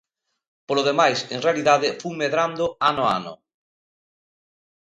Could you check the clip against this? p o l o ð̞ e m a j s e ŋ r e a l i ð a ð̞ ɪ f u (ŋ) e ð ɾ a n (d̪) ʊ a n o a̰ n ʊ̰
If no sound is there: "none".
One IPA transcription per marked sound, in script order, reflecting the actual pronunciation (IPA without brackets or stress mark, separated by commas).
m, d̪